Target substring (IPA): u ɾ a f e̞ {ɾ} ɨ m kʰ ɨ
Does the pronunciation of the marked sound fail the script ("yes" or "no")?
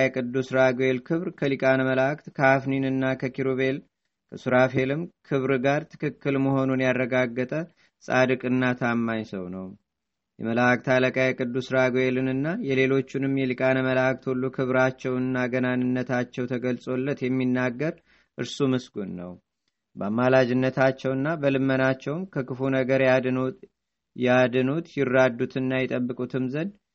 yes